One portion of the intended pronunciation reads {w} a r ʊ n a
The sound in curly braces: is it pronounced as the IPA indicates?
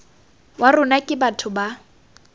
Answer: yes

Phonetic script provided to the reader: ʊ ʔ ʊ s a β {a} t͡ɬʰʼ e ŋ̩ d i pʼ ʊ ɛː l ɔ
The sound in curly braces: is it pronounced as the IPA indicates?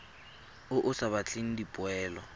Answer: yes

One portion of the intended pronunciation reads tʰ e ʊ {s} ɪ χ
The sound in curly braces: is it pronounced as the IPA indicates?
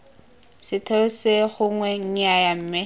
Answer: yes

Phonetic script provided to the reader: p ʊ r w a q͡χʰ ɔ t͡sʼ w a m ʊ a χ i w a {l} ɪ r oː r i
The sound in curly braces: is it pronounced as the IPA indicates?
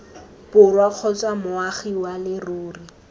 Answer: yes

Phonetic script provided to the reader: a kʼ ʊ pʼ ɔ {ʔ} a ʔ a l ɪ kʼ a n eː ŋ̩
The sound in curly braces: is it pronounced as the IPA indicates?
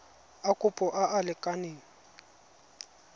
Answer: yes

